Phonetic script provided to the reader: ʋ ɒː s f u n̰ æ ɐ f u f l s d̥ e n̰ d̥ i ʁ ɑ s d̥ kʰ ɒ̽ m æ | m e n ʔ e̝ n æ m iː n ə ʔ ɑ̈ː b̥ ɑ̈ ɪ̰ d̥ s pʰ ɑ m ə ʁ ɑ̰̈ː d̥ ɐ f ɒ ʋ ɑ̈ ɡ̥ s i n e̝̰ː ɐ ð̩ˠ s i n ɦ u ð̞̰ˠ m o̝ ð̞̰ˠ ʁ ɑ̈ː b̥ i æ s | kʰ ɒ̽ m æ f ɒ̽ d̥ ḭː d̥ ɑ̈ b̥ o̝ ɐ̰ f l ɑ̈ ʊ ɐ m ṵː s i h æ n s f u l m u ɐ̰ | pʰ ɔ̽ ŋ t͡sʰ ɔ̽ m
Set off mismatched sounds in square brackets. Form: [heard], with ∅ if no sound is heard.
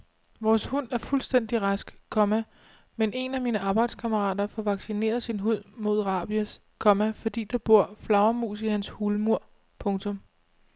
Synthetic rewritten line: ʋ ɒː s [h] u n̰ æ ɐ f u [∅] l s d̥ e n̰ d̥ i ʁ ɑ s [ɡ̥] kʰ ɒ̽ m æ | m e n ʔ e̝ n æ m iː n ə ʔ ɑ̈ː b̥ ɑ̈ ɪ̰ d̥ s [kʰ] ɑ m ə ʁ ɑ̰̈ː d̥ ɐ f ɒ ʋ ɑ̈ ɡ̥ s i n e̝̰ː ɐ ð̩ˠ s i n ɦ u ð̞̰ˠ m o̝ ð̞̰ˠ ʁ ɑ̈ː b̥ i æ s | kʰ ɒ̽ m æ f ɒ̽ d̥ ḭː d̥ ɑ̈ b̥ o̝ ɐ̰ f l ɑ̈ ʊ ɐ m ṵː s i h æ n s [h] u l m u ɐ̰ | pʰ ɔ̽ ŋ t͡sʰ ɔ̽ m